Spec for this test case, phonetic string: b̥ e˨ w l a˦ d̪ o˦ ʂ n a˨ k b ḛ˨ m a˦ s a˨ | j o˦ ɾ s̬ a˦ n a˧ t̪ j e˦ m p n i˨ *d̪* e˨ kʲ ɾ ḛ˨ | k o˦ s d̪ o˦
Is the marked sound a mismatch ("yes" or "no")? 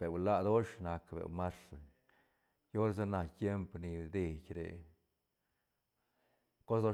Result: no